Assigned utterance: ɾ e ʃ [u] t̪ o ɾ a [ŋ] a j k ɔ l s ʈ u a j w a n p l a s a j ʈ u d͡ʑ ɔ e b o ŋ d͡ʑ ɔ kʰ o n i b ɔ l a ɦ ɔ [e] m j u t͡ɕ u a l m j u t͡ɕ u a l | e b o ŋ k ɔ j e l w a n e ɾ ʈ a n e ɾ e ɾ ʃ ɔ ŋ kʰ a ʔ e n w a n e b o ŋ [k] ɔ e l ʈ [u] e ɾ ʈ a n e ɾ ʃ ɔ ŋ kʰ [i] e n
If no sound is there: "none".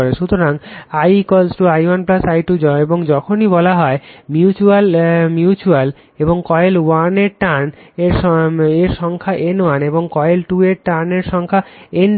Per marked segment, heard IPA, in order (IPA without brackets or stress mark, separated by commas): u, ŋ, e, k, u, a